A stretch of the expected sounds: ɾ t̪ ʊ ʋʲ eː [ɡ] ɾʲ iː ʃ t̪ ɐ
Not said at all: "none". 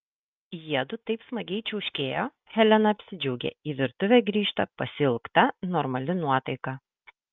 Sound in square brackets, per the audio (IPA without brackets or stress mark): ɡ